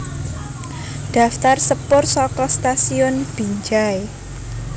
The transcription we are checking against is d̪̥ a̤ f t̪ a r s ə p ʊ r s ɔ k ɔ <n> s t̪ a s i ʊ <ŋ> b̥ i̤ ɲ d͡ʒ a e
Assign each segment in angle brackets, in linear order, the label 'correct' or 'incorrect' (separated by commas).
incorrect, incorrect